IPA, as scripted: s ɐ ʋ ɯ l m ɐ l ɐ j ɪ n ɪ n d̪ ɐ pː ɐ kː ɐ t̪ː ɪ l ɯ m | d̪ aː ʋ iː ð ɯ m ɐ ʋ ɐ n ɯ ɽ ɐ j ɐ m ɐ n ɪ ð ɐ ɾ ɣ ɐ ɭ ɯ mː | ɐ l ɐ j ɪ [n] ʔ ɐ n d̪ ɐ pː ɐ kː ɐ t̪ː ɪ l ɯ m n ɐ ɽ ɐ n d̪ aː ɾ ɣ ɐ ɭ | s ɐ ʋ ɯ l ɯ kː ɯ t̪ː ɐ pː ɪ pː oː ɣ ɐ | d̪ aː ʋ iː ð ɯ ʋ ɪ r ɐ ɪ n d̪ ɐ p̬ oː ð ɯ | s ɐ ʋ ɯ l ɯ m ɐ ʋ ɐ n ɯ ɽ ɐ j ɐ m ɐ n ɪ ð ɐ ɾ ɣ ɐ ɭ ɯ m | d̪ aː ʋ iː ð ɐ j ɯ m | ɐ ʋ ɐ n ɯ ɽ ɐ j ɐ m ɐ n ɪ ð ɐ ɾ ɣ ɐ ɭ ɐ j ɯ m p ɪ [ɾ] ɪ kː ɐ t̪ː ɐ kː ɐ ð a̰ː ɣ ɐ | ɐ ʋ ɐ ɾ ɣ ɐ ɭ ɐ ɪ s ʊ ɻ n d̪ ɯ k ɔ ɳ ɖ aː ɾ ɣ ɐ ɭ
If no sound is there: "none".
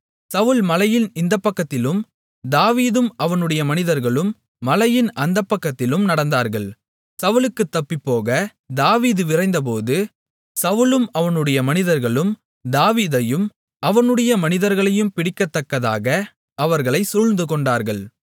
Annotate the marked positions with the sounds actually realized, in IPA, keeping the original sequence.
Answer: n, ɽ

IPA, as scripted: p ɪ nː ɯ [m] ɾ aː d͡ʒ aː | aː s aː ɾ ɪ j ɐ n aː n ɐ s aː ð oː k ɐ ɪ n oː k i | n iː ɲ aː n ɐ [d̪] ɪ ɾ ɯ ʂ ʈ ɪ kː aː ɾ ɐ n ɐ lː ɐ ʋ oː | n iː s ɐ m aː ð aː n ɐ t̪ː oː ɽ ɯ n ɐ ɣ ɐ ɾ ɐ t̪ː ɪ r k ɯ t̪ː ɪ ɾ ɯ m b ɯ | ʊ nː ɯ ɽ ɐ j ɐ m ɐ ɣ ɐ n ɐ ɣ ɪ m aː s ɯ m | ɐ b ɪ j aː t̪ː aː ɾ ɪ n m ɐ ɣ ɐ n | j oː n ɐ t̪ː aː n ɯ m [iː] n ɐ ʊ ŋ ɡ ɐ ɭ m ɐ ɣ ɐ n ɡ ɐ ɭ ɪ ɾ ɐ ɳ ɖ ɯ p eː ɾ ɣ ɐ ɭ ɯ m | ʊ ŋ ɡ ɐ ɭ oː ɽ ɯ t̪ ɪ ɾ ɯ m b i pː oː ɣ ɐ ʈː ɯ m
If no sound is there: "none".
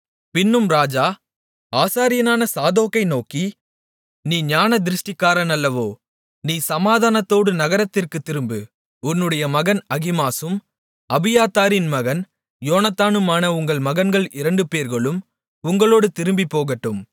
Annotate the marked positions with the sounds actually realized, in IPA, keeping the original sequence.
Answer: m, d̪, aː

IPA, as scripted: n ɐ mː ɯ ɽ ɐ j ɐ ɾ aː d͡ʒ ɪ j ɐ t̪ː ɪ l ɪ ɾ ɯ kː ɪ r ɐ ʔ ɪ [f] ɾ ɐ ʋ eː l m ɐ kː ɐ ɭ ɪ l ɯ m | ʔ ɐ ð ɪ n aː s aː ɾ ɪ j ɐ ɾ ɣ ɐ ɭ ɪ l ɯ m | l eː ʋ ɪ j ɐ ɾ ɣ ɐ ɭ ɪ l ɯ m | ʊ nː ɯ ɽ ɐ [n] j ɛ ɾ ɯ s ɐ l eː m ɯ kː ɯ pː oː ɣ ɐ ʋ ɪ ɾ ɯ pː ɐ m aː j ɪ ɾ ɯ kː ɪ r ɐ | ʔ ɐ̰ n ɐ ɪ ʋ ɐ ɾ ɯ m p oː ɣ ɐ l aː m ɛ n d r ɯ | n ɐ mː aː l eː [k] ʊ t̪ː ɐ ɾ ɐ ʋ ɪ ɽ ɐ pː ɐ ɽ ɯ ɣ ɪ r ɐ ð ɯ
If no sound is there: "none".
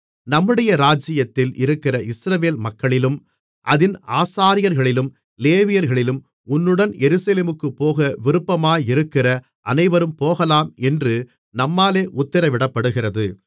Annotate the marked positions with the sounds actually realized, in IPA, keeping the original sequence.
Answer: s, n, ʔ

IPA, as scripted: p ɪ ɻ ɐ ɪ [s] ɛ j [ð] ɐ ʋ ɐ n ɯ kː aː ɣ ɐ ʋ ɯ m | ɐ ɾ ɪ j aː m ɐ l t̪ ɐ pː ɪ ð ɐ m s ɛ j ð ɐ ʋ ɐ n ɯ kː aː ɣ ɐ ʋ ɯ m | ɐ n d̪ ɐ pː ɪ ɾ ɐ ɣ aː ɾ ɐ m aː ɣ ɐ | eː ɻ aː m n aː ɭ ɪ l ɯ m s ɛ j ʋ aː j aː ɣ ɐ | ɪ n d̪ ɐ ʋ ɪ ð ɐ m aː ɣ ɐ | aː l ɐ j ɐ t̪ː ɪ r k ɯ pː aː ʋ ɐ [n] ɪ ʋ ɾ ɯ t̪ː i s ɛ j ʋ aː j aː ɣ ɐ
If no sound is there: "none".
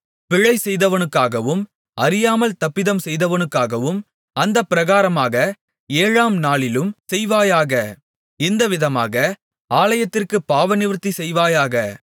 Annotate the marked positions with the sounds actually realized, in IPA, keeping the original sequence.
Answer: s, ð, n

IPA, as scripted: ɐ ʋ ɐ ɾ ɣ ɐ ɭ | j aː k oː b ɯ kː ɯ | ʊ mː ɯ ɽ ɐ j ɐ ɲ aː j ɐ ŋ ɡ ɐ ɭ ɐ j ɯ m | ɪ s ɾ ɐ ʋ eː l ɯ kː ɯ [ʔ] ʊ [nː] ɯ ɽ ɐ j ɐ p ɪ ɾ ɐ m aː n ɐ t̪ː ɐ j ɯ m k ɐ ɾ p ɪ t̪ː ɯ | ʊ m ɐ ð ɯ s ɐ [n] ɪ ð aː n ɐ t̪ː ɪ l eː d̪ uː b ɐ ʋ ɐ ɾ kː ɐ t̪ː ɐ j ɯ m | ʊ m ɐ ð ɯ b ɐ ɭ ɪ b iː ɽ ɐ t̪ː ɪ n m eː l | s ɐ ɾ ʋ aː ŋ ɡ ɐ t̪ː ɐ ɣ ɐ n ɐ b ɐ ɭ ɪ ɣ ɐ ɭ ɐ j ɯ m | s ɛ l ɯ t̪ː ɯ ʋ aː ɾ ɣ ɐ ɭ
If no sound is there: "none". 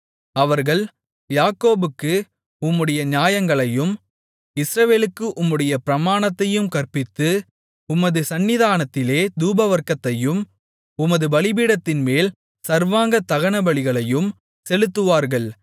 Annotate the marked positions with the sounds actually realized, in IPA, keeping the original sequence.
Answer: ʔ, mː, nː

